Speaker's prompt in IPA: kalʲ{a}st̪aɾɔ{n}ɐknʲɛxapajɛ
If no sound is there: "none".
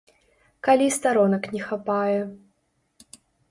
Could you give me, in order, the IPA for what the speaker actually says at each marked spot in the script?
i, n

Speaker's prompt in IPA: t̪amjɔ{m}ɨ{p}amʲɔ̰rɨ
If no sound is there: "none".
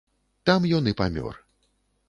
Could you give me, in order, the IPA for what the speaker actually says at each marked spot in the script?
n, p

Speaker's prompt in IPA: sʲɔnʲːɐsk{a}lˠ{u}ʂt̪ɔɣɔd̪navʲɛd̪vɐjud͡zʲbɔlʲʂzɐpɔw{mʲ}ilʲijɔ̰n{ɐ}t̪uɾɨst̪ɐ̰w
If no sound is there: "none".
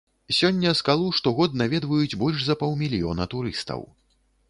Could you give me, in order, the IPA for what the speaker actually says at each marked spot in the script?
a, u, mʲ, ɐ

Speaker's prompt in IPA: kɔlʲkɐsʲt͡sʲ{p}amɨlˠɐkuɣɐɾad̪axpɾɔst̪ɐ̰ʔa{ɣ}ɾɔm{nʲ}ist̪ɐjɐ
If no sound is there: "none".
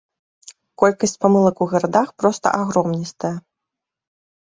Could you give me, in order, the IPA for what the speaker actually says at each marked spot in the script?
p, ɣ, nʲ

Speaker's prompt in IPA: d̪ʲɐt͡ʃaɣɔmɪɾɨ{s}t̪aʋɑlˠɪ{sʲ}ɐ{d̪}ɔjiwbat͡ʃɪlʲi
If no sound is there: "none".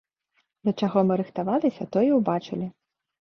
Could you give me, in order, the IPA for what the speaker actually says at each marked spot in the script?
x, sʲ, t̪

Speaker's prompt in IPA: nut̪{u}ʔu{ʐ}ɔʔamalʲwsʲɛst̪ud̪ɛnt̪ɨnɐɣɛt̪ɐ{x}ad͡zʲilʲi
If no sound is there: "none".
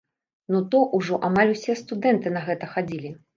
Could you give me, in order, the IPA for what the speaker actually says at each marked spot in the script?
ɔ, ʐ, x

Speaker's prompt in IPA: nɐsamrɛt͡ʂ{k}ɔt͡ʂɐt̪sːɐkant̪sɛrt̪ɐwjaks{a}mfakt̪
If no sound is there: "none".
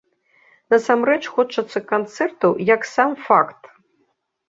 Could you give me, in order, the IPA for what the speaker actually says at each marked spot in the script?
x, a

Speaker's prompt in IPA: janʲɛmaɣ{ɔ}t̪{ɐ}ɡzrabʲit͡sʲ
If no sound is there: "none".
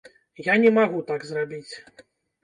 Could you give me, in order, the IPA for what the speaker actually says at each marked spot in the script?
u, a

